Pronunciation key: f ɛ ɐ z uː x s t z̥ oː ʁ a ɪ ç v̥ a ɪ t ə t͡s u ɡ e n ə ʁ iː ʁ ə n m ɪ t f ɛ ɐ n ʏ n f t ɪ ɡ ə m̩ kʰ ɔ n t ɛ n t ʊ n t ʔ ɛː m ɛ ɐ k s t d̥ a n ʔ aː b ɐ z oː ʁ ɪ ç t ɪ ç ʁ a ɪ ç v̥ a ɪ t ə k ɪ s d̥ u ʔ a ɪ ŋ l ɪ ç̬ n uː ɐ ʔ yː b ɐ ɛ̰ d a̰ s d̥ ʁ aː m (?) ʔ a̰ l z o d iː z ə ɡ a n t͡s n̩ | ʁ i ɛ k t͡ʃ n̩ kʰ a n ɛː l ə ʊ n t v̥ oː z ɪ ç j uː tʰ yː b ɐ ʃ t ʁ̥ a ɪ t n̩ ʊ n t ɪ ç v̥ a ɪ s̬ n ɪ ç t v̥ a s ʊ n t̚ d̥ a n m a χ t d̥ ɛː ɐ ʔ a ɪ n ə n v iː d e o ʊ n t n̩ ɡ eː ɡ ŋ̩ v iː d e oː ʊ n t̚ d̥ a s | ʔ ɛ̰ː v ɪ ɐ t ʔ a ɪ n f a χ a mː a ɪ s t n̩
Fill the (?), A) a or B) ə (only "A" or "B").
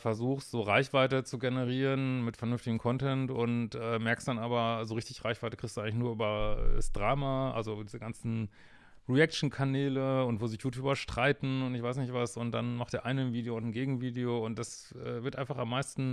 A